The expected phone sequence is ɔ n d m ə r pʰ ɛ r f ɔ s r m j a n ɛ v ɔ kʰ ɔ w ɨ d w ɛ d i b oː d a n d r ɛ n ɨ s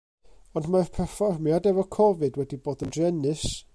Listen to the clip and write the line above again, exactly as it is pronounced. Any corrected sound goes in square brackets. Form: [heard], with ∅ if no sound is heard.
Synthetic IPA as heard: ɔ n d m [a] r pʰ ɛ r f ɔ [∅] r m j a [d] ɛ v ɔ kʰ ɔ [v] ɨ d w ɛ d i b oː d [ə] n d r ɛ n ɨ s

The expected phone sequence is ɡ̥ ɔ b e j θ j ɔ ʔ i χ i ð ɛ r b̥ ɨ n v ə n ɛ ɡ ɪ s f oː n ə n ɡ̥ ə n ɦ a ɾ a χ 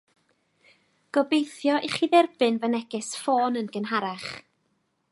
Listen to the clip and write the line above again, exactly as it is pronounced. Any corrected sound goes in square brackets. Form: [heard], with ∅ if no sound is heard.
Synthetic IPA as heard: ɡ̥ ɔ b e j θ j ɔ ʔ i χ i ð ɛ r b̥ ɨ n v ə n ɛ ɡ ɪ s f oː n ə n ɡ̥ ə n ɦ a ɾ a χ

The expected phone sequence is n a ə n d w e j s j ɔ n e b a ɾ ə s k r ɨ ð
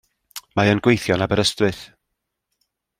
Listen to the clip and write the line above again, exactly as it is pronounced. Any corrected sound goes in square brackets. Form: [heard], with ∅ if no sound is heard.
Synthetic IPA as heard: [m] a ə n [ɡ] w e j [θ] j ɔ n [a] b [ə] ɾ ə s [t] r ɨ [θ]

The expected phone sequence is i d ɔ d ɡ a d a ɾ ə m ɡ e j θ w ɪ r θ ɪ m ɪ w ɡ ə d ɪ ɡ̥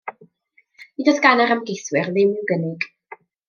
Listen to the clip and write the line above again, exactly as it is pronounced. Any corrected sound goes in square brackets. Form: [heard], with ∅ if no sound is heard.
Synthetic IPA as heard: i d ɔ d ɡ a [n] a ɾ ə m ɡ e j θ w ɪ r [ð] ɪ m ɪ w ɡ ə [n] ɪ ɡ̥

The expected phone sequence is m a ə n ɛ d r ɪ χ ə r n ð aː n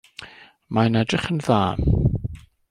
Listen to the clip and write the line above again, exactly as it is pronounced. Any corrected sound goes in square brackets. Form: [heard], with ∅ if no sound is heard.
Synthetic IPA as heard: m a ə n ɛ d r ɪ χ ə [∅] n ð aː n

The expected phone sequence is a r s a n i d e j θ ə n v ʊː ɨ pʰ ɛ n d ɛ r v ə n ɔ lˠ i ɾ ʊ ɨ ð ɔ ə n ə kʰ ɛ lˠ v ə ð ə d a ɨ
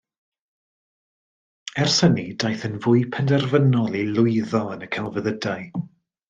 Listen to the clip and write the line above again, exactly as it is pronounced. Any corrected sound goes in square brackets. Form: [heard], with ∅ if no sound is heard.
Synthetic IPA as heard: [ɛ] r s [ə] n i d [a] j θ ə n v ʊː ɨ pʰ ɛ n d ɛ r v ə n ɔ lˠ i [l] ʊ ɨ ð ɔ ə n ə kʰ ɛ lˠ v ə ð ə d a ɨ

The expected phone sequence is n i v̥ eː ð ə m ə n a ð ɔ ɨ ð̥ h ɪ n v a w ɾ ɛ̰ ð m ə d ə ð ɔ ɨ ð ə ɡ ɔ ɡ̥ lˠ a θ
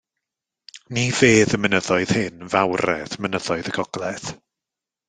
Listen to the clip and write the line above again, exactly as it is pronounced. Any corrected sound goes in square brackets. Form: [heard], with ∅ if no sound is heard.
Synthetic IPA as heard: n i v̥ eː ð ə m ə n [ə] ð ɔ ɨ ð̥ h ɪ n v a w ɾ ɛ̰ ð m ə [n] ə ð ɔ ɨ ð ə ɡ ɔ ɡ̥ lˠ [ɛ] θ

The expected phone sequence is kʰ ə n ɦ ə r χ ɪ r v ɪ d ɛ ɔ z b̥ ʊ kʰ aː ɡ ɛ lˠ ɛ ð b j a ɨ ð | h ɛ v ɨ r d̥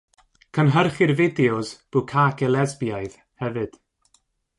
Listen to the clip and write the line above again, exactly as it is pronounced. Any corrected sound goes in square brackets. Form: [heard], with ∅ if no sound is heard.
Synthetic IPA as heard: kʰ ə n ɦ ə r χ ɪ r v ɪ d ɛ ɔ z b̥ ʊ kʰ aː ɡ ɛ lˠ ɛ [z] b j a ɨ ð | h ɛ v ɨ [∅] d̥

